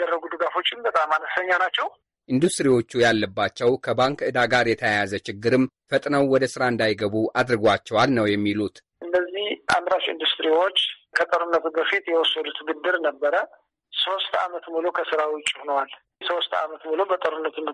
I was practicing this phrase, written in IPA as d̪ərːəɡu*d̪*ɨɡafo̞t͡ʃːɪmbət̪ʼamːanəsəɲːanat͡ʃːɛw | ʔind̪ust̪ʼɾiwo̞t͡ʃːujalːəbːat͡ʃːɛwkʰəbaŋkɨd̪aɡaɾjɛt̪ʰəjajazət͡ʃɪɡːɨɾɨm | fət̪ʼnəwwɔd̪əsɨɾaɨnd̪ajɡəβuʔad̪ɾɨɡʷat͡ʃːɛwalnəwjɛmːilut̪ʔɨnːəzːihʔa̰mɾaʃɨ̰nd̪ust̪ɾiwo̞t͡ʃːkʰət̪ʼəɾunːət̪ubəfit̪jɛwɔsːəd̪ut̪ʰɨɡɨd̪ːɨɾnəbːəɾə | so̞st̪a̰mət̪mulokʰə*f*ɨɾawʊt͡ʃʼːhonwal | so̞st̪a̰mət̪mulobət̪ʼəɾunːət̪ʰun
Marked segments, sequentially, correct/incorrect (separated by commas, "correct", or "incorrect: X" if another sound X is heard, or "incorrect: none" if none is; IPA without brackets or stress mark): correct, incorrect: s